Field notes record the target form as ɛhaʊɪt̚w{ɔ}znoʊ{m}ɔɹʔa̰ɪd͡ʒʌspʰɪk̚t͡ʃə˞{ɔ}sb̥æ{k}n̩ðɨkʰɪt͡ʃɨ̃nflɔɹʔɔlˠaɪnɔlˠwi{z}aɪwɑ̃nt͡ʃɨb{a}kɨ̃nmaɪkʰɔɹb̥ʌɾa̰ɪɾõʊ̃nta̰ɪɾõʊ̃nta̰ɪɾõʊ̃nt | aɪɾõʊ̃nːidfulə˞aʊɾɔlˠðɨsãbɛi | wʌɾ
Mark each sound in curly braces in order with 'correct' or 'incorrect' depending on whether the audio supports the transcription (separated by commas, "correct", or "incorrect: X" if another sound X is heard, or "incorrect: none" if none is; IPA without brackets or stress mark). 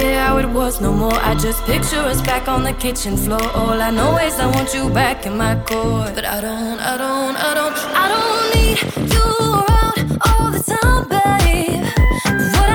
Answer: incorrect: ʌ, correct, incorrect: ʌ, correct, correct, incorrect: æ